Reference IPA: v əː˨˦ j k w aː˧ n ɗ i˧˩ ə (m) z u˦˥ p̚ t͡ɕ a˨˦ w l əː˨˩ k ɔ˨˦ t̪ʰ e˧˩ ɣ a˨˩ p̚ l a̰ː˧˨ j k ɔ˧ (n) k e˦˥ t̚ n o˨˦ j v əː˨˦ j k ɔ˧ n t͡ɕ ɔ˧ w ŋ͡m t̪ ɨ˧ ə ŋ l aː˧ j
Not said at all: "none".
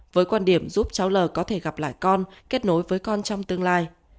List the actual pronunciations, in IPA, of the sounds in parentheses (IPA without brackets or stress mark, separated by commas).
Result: m, n